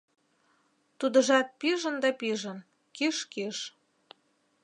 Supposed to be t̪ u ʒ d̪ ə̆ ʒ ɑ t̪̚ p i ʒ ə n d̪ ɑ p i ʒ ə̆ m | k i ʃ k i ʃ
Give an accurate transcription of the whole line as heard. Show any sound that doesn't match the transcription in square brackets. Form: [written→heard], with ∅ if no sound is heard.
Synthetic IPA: t̪ u [ʒ→∅] d̪ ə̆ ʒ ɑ t̪̚ p i ʒ ə n d̪ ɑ p i ʒ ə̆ [m→n] | k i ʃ k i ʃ